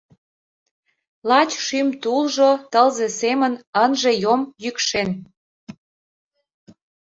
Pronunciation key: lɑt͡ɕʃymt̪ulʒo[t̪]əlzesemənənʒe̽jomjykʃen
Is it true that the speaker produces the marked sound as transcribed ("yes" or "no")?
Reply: yes